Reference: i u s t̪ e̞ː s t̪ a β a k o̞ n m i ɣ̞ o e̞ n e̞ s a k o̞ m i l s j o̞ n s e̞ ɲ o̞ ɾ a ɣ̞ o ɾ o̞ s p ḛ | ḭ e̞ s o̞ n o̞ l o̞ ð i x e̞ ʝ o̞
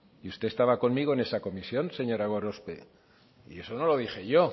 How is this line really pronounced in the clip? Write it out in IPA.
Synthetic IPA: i u s t̪ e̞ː s t̪ a β a k o̞ n m i ɣ̞ o e̞ n e̞ s a k o̞ m i s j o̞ n s e̞ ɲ o̞ ɾ a ɣ̞ o ɾ o̞ s p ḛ | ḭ e̞ s o̞ n o̞ l o̞ ð i x e̞ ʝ o̞